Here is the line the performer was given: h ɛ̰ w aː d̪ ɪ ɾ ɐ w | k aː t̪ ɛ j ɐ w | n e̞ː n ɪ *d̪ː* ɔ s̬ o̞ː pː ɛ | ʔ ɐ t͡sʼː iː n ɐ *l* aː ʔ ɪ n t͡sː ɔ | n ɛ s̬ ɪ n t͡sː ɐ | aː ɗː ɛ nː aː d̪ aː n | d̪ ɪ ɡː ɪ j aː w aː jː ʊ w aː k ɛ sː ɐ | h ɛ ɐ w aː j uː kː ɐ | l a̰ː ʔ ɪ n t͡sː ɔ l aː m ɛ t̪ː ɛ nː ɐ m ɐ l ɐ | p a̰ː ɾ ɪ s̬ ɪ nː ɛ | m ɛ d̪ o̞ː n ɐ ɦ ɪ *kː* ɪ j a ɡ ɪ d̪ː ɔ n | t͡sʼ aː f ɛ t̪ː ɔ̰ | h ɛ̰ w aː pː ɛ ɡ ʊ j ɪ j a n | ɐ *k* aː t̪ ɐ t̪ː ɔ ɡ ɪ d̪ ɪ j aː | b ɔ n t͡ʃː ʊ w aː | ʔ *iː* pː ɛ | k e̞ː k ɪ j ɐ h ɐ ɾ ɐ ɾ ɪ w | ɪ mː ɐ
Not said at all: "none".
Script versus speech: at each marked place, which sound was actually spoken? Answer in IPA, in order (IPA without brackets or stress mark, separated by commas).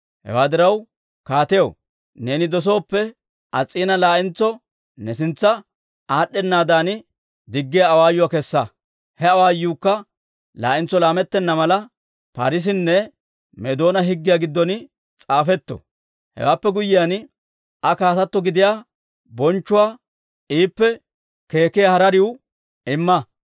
d̪, l, ɡː, k, iː